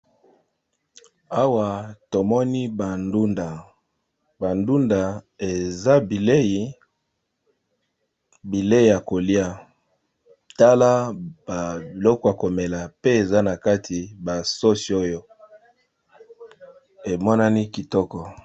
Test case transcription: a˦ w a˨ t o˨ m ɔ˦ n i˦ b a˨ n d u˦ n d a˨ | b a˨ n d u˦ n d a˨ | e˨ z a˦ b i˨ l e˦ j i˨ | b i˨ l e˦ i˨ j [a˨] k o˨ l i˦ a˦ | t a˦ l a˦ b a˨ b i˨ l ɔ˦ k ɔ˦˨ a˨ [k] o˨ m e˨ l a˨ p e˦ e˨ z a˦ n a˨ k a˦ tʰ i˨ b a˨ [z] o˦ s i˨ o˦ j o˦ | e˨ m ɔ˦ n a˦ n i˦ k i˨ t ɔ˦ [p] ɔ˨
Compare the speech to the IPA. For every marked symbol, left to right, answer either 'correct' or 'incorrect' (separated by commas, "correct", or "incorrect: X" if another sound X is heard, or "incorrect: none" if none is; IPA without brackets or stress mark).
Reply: correct, correct, incorrect: s, incorrect: k